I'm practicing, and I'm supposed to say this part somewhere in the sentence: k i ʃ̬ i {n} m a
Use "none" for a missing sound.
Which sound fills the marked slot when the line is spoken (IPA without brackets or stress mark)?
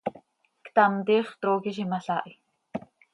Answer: none